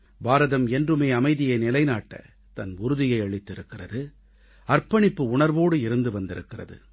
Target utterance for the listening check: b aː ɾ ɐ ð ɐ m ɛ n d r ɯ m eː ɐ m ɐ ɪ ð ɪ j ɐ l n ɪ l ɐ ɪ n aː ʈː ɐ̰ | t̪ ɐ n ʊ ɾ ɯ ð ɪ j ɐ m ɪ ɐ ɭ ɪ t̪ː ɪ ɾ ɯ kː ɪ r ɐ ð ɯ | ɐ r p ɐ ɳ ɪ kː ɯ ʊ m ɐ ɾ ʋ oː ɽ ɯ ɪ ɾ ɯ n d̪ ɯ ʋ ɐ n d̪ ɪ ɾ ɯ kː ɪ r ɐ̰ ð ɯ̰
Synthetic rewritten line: b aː ɾ ɐ ð ɐ m ɛ n d r ɯ m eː ɐ m ɐ ɪ ð ɪ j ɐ n ɪ l ɐ ɪ n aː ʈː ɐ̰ | t̪ ɐ n ʊ ɾ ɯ ð ɪ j ɐ ɪ ɐ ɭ ɪ t̪ː ɪ ɾ ɯ kː ɪ r ɐ ð ɯ | ɐ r p ɐ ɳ ɪ pː ɯ ʊ ɳ ɐ ɾ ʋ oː ɽ ɯ ɪ ɾ ɯ n d̪ ɯ ʋ ɐ n d̪ ɪ ɾ ɯ kː ɪ r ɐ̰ ð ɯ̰